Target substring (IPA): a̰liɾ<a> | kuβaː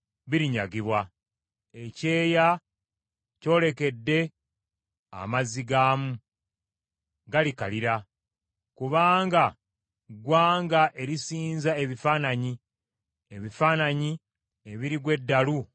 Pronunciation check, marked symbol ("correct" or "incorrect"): correct